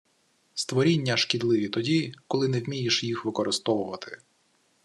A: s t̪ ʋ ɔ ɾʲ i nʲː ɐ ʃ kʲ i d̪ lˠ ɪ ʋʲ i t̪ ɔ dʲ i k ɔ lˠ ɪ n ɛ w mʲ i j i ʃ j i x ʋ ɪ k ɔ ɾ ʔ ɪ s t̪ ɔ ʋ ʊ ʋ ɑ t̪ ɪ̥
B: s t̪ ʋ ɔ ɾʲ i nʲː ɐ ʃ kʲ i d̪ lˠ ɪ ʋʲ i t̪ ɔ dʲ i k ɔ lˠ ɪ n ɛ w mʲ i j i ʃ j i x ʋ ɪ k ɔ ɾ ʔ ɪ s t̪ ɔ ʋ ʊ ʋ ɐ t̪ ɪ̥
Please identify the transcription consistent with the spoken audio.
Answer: B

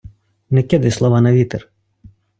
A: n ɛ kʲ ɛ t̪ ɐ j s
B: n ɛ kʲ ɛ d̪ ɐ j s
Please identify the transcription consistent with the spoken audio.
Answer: B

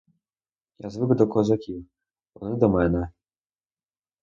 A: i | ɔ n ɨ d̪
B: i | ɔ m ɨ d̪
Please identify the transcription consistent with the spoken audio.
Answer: A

